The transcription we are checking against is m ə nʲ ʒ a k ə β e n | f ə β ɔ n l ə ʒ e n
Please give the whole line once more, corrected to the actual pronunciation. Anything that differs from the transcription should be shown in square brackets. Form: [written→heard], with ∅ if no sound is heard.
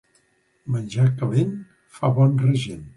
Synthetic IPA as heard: m ə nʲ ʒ a k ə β e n | f [ə→a] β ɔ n [l→r] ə ʒ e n